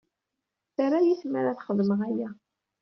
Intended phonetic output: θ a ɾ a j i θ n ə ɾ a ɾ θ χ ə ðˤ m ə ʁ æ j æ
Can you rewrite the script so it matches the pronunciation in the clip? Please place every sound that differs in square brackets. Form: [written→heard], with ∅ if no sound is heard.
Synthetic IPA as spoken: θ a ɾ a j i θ [n→m] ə ɾ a [ɾ→∅] θ χ ə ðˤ m ə ʁ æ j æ

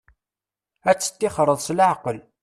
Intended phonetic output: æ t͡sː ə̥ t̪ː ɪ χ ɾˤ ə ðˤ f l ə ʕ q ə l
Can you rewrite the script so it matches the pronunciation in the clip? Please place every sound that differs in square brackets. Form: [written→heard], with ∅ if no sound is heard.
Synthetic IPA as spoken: æ t͡sː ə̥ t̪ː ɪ χ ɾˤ ə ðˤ [f→s] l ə ʕ q ə l

